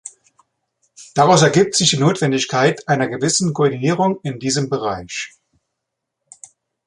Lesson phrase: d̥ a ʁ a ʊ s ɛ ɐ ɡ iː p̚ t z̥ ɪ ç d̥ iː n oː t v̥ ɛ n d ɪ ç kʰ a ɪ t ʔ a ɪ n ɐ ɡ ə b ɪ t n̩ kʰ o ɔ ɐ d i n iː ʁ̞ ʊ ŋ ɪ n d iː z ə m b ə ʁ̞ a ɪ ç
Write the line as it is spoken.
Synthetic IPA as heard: d̥ a ʁ a ʊ s ɛ ɐ ɡ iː p̚ t z̥ ɪ ç d̥ iː n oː t v̥ ɛ n d ɪ ç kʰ a ɪ t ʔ a ɪ n ɐ ɡ ə v ɪ s n̩ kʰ o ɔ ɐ d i n iː ʁ̞ ʊ ŋ ɪ n d iː z ə m b ə ʁ̞ a ɪ ç